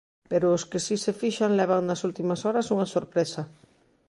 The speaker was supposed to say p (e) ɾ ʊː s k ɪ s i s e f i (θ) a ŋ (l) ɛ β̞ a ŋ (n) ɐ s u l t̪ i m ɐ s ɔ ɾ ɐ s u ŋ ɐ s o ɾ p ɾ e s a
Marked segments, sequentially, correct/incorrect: correct, incorrect: ʃ, correct, correct

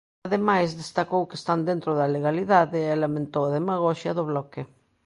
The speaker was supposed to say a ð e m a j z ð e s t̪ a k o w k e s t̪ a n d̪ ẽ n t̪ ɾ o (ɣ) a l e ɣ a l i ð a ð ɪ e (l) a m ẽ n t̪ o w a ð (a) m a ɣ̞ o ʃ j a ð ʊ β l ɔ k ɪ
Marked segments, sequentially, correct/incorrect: incorrect: ð, correct, incorrect: e

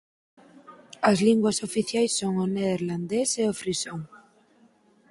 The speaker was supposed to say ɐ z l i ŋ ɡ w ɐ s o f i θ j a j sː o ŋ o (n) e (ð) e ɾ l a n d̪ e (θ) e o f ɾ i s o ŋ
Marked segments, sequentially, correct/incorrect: correct, correct, incorrect: s

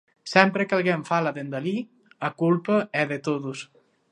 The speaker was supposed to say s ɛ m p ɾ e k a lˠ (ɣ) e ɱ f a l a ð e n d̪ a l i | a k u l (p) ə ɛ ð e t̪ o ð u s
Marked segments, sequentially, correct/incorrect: correct, correct

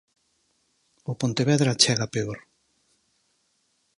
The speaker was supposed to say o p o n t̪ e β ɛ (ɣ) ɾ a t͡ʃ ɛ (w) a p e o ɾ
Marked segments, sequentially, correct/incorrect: incorrect: ð, incorrect: ɣ

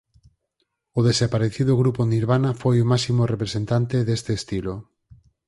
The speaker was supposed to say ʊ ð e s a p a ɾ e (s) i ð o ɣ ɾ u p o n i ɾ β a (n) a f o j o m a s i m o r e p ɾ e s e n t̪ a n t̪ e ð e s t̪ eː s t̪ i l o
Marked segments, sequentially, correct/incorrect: incorrect: θ, correct

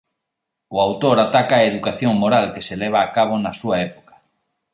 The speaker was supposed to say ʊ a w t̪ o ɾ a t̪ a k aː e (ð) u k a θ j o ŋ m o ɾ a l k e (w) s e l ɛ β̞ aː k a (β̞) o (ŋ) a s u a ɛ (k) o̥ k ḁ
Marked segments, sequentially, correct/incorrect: correct, incorrect: none, correct, incorrect: n, incorrect: p

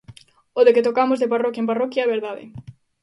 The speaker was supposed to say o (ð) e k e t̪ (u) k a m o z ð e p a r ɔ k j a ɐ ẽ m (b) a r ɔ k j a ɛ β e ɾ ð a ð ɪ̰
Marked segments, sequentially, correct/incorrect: correct, incorrect: o, incorrect: p

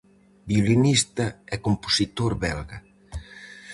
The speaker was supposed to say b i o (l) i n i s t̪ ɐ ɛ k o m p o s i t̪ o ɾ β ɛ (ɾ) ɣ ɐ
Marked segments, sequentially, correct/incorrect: correct, incorrect: l

